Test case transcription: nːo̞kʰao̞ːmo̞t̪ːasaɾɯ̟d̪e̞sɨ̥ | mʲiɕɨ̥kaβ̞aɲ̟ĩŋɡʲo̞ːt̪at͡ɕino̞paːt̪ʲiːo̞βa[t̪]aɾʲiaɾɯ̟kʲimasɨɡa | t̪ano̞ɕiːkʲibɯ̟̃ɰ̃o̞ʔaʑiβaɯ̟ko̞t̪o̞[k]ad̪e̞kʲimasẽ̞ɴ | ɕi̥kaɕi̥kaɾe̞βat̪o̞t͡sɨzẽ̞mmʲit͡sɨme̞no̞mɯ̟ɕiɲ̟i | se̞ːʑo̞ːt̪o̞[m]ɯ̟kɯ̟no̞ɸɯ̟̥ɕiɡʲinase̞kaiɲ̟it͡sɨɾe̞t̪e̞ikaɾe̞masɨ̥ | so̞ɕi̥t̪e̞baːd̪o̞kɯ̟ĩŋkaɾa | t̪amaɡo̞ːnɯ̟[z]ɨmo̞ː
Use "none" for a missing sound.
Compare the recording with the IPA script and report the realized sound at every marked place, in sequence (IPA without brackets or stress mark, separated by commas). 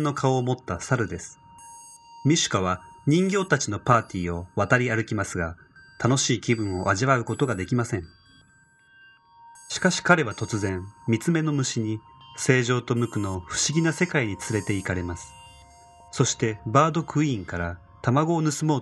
t̪, ɡ, m, s